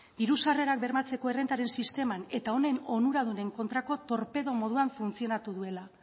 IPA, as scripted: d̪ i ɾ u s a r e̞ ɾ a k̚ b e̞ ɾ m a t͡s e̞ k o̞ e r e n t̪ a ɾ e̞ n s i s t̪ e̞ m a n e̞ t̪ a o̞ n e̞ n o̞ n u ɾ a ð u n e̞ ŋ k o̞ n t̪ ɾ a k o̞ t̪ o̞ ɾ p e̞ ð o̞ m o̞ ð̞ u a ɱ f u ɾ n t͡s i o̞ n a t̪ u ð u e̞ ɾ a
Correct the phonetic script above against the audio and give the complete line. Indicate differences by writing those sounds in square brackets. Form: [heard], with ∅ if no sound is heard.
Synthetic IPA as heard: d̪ i ɾ u s a r e̞ ɾ a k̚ b e̞ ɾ m a t͡s e̞ k o̞ e r e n t̪ a ɾ e̞ n s i s t̪ e̞ m a n e̞ t̪ a o̞ n e̞ n o̞ n u ɾ a ð u n e̞ ŋ k o̞ n t̪ ɾ a k o̞ t̪ o̞ ɾ p e̞ ð o̞ m o̞ ð̞ u a ɱ f u [∅] n t͡s i o̞ n a t̪ u ð u e̞ [l] a